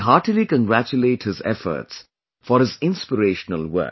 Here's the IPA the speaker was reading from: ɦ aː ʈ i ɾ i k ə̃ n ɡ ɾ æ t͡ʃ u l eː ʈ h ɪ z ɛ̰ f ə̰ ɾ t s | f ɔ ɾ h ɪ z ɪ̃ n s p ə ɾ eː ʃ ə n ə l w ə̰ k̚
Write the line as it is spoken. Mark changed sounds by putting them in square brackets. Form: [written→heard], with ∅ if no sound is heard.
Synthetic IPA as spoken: ɦ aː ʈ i [ɾ→l] i k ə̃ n ɡ ɾ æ t͡ʃ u l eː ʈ h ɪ z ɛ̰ f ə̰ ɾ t s | f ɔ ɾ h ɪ z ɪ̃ n s p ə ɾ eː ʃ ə n ə l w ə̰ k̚

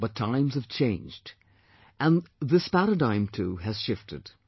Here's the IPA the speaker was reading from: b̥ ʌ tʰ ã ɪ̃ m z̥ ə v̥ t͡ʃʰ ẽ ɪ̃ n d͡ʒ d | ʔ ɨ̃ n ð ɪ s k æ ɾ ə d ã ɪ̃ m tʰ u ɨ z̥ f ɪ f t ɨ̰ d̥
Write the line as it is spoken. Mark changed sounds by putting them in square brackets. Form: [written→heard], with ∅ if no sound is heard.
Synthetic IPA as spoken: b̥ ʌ tʰ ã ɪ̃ m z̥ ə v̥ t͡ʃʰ ẽ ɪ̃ n d͡ʒ d | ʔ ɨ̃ n ð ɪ s [k→p] æ ɾ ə d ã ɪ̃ m tʰ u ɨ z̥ [f→ʃ] ɪ f t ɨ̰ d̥

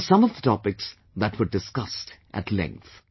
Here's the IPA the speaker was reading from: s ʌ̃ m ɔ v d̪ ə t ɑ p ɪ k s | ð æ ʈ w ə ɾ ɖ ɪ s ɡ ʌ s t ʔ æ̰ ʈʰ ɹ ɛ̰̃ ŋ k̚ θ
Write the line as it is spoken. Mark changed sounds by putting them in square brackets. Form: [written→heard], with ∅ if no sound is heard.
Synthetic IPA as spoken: s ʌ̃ m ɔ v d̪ ə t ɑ p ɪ k s | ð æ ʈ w ə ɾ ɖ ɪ s [ɡ→k] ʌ s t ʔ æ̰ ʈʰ [ɹ→l] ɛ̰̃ ŋ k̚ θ

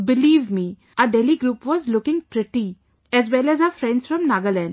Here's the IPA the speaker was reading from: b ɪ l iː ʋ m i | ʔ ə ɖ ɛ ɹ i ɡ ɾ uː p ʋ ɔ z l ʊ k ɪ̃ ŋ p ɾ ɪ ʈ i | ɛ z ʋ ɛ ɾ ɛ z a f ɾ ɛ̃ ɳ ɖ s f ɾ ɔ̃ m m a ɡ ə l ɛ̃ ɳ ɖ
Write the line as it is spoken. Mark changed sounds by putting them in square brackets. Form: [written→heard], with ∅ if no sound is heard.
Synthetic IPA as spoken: b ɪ l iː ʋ m i | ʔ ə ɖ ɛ [ɹ→l] i ɡ ɾ uː p ʋ ɔ z l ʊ k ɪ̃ ŋ p ɾ ɪ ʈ i | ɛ z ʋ ɛ [ɾ→l] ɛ z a f ɾ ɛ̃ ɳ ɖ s f ɾ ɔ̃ m [m→n] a ɡ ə l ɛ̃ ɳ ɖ

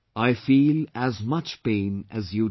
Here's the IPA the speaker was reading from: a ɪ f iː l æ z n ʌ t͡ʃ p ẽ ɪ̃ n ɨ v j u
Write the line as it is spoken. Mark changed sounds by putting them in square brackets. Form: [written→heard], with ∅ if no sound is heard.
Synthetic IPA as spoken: a ɪ f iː l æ z [n→m] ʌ t͡ʃ p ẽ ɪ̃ n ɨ [v→z] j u

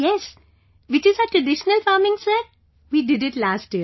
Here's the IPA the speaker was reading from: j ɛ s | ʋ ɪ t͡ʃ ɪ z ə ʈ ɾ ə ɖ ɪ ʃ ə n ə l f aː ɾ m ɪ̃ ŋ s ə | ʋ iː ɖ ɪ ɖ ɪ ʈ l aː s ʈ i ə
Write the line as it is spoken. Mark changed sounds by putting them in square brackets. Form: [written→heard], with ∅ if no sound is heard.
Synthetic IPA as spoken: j ɛ s | ʋ ɪ t͡ʃ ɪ z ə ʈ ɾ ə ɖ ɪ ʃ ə n ə l f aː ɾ m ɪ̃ ŋ s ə | ʋ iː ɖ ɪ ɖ ɪ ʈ l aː s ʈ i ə

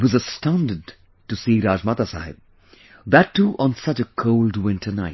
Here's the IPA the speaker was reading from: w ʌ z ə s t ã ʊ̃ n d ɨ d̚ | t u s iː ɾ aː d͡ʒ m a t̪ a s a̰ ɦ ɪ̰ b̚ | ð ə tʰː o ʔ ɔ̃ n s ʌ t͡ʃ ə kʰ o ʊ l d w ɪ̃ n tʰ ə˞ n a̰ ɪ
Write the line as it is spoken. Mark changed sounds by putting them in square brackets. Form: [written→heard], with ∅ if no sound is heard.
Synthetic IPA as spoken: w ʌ z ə s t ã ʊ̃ n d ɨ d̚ | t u s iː ɾ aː d͡ʒ m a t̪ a s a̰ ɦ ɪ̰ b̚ | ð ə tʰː [o→u] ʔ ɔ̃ n s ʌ t͡ʃ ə kʰ o ʊ l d w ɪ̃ n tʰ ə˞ n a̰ ɪ

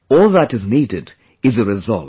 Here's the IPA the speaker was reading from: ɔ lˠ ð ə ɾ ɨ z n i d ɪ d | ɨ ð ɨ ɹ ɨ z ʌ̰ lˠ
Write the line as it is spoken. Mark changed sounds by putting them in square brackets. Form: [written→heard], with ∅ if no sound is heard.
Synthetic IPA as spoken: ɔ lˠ ð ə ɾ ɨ z n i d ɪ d | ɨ [ð→z] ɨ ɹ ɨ z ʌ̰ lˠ

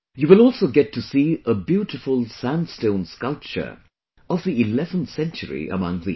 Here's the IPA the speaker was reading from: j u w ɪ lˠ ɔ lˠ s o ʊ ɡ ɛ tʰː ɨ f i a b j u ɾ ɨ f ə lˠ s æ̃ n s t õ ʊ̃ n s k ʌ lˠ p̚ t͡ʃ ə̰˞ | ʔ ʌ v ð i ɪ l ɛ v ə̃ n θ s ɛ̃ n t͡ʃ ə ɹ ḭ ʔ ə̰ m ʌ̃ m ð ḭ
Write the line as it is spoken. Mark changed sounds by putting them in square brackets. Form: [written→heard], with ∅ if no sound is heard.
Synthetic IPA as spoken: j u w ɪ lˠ ɔ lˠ s o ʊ ɡ ɛ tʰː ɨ [f→s] i [a→ə] b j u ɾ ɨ f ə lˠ s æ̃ n s t õ ʊ̃ n s k ʌ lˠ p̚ t͡ʃ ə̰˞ | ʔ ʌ v ð i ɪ l ɛ v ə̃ n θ s ɛ̃ n t͡ʃ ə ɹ ḭ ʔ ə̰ m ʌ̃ [m→ŋ] ð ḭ

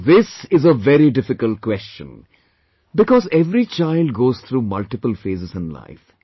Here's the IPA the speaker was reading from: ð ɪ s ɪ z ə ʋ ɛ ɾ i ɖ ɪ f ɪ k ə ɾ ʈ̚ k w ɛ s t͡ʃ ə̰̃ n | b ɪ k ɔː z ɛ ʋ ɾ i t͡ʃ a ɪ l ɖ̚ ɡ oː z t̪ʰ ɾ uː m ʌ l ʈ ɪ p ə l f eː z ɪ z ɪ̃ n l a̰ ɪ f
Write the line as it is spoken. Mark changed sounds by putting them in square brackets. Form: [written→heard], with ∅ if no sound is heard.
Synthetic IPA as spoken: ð ɪ s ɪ z ə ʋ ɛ ɾ i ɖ ɪ f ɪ k ə [ɾ→l] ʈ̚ k w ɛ s t͡ʃ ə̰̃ n | b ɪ k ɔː z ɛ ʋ ɾ i t͡ʃ a ɪ l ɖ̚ ɡ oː z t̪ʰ ɾ uː m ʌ l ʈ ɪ p ə l f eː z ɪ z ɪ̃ n l a̰ ɪ f

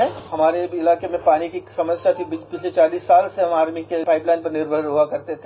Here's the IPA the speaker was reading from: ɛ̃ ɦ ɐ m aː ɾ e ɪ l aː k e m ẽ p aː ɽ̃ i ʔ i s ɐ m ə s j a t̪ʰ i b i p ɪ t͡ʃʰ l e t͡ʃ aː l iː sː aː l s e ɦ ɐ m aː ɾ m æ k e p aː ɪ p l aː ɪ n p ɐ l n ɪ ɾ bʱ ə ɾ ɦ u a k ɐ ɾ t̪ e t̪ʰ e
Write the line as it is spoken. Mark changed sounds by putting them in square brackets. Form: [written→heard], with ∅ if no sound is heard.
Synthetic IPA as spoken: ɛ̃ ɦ ɐ m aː ɾ e ɪ l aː k e m ẽ p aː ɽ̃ i [ʔ→k] i s ɐ m ə s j a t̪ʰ i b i p ɪ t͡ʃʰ l e t͡ʃ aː l iː sː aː l s e ɦ ɐ m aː ɾ m [æ→i] k e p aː ɪ p l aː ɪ n p ɐ [l→ɾ] n ɪ ɾ bʱ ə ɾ ɦ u a k ɐ ɾ t̪ e t̪ʰ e

